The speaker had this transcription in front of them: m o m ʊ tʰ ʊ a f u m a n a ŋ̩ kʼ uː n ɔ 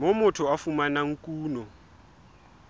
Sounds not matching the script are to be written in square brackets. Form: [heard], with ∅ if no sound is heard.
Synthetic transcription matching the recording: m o m ʊ tʰ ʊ a f u m a n a ŋ̩ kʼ uː n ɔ